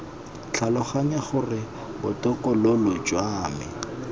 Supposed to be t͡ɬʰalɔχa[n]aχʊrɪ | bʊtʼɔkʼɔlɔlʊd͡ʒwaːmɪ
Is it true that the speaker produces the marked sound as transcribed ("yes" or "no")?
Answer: no